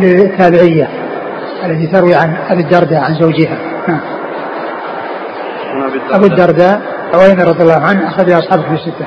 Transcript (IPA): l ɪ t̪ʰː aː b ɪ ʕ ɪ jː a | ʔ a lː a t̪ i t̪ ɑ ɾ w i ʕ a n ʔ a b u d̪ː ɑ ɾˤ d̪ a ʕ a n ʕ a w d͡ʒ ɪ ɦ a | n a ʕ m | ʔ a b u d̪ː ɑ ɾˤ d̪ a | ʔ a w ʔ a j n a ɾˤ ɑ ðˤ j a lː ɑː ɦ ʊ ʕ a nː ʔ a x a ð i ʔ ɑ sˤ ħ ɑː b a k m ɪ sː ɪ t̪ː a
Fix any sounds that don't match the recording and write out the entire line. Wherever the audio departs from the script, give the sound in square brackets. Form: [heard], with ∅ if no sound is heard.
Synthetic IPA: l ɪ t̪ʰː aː b ɪ ʕ ɪ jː a | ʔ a lː a t̪ i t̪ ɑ ɾ w i ʕ a n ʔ a b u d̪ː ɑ ɾˤ d̪ a ʕ a n [z] a w d͡ʒ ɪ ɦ a | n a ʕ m | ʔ a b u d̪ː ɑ ɾˤ d̪ a | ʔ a w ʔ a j n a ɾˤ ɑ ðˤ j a lː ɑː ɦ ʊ ʕ a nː ʔ a x a ð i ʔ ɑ sˤ ħ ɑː b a k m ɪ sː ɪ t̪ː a